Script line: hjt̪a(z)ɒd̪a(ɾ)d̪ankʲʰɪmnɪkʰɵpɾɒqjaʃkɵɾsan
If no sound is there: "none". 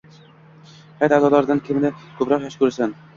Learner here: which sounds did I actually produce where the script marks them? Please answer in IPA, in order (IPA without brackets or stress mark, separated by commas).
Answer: z, ɾ